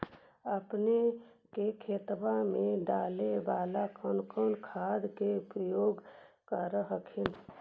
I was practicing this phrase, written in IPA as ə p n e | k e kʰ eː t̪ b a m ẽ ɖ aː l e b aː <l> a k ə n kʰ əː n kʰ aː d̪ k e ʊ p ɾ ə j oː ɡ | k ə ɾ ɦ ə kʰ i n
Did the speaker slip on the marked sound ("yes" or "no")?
no